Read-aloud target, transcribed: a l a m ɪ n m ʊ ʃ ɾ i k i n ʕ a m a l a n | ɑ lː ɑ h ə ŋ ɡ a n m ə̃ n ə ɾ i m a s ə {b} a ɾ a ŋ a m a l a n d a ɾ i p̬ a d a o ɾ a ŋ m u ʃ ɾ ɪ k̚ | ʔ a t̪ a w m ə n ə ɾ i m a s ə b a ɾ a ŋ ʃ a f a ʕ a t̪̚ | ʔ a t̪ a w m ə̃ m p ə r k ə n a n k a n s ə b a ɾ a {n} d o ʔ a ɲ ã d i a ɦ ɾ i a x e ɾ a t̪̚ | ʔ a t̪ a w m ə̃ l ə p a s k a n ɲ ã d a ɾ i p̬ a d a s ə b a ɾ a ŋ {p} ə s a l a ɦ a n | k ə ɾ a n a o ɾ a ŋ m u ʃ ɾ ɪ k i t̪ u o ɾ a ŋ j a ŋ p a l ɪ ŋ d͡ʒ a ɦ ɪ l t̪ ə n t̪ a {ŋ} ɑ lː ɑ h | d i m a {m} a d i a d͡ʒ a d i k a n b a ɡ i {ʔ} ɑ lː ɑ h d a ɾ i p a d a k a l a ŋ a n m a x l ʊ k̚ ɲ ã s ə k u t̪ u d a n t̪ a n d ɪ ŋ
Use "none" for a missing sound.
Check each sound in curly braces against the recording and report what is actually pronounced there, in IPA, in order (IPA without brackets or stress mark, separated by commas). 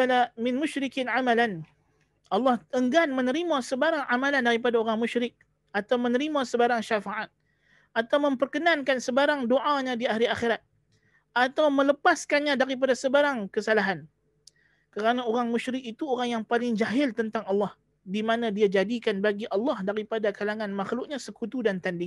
b, ŋ, k, ŋ, n, ʔ